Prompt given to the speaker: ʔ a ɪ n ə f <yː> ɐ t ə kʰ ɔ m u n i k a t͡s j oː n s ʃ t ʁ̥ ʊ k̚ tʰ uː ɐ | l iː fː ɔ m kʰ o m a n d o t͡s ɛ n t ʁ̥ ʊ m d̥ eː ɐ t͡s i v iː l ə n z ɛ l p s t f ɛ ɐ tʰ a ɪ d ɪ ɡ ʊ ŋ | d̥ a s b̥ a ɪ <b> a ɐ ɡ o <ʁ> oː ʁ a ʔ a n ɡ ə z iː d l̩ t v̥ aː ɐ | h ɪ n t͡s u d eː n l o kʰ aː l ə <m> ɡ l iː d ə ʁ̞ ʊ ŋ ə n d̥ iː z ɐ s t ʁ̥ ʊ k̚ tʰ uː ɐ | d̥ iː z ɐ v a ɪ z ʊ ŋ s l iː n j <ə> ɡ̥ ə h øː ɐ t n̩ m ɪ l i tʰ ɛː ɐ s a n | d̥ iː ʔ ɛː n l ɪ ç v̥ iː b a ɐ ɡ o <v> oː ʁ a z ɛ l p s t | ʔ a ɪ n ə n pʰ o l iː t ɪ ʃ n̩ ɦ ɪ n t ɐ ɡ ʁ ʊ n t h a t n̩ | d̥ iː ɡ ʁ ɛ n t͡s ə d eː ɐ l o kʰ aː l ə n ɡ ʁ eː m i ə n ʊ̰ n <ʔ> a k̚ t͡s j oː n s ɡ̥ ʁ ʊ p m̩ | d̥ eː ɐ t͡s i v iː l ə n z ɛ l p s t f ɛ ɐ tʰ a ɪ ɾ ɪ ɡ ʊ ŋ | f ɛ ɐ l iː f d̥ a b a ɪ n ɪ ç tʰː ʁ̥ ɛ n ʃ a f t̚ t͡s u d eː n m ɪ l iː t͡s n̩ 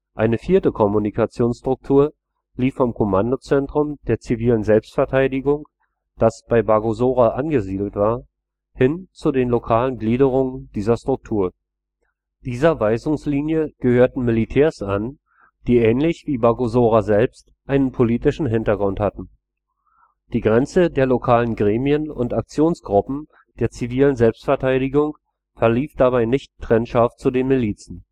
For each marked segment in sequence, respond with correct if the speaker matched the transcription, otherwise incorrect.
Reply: incorrect: iː, correct, incorrect: z, incorrect: n, correct, incorrect: z, incorrect: t

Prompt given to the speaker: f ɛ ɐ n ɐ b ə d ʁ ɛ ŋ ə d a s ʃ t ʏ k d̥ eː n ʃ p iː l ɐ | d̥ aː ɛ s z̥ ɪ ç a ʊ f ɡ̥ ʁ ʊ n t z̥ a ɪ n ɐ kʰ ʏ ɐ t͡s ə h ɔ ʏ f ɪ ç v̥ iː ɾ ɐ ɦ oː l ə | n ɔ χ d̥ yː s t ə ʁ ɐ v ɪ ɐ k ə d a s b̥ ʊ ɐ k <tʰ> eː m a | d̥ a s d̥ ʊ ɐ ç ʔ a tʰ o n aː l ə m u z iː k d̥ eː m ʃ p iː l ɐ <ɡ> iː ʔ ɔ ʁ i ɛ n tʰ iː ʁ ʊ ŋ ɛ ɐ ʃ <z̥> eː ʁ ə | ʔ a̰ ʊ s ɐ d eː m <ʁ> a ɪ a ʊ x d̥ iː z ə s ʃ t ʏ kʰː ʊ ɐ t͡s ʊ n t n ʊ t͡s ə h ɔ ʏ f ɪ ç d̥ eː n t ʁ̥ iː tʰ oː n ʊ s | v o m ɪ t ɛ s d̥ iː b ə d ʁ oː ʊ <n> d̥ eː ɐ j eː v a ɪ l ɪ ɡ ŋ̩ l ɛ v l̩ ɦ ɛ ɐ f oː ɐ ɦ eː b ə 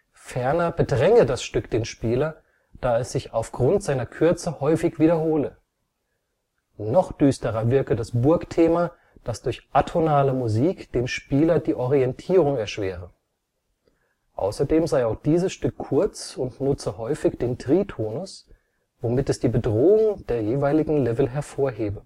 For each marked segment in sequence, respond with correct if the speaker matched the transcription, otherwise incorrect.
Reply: correct, incorrect: d, incorrect: v̥, incorrect: z, incorrect: ŋ

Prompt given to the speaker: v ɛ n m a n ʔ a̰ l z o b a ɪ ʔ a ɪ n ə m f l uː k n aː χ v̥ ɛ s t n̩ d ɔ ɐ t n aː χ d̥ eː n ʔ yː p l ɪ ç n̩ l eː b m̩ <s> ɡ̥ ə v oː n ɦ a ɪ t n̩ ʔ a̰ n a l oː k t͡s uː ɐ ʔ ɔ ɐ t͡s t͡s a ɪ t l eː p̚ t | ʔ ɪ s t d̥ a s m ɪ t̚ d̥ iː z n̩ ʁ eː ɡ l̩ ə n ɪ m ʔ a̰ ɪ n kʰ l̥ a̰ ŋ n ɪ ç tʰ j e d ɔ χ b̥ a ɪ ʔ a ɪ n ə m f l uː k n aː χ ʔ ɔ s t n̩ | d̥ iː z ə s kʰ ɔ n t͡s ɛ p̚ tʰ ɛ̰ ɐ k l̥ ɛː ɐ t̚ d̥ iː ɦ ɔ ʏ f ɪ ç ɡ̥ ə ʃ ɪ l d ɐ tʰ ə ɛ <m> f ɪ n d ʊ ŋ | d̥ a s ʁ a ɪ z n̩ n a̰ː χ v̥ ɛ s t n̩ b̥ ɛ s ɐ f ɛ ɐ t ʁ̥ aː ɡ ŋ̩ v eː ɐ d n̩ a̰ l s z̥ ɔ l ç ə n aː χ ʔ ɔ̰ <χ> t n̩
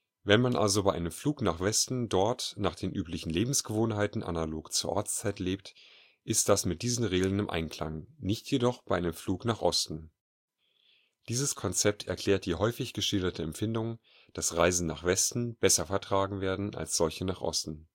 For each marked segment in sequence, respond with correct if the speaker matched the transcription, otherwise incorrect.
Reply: correct, correct, incorrect: s

